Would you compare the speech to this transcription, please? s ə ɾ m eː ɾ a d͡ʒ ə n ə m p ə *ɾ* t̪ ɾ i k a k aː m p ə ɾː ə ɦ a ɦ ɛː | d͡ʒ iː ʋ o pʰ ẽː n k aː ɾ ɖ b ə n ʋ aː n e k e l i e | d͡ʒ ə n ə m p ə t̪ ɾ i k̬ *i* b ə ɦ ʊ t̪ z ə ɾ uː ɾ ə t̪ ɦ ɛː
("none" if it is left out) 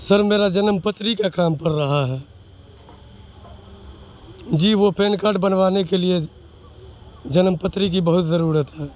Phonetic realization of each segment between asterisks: none, i

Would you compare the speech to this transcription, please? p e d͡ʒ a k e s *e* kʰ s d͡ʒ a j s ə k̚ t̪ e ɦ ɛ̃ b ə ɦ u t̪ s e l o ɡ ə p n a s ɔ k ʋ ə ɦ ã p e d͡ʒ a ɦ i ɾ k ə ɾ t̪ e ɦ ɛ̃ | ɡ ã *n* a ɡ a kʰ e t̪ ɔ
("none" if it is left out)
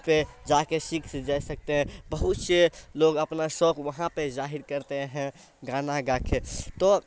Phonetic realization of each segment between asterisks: i, n

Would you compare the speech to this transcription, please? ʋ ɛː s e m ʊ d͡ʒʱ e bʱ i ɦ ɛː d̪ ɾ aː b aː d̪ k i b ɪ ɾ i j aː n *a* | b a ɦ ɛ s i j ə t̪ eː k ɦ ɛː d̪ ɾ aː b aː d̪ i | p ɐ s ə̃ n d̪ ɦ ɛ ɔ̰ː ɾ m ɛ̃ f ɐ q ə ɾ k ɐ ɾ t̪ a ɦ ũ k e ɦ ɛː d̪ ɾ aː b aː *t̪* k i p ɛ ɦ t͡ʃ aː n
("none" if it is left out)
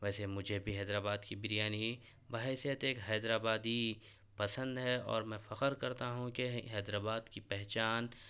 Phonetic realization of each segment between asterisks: i, d̪

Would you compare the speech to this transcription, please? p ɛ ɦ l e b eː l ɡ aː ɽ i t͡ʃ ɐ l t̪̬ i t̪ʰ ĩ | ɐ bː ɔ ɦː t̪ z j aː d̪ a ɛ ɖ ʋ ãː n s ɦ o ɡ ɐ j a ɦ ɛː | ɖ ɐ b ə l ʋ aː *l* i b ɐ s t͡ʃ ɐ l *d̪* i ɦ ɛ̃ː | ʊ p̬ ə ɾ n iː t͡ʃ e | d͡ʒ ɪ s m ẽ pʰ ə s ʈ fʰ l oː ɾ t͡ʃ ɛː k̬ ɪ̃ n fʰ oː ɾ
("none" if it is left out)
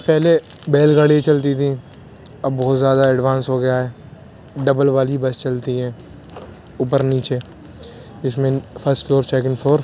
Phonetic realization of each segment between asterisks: l, t̪

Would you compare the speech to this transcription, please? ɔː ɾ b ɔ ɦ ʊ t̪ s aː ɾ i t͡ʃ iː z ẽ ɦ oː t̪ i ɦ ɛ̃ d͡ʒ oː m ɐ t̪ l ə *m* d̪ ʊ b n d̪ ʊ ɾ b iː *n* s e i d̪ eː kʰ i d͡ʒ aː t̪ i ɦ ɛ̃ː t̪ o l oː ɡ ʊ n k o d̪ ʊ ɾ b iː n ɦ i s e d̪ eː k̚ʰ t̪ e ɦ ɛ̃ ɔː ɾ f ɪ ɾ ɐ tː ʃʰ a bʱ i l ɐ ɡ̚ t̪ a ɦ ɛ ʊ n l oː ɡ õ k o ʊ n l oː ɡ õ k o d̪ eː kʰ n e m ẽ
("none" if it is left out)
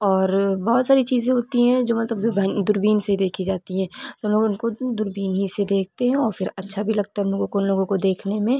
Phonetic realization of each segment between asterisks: b, n

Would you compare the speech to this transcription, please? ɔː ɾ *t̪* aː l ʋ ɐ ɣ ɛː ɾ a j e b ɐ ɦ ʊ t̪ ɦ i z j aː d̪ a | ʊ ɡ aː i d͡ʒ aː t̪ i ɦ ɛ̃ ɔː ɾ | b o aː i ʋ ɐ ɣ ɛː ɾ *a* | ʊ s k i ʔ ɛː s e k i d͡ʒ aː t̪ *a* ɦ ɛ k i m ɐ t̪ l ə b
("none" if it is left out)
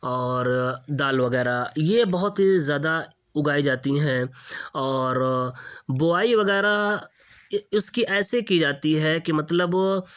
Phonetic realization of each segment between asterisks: d̪, a, i

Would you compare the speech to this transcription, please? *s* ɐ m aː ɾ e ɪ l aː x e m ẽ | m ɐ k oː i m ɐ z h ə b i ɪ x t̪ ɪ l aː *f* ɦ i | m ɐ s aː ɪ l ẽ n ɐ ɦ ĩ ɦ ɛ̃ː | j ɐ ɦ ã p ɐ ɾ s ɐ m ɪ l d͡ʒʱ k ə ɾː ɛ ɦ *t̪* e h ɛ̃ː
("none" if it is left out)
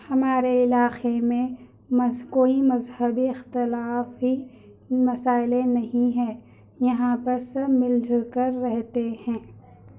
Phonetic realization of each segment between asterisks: h, f, t̪

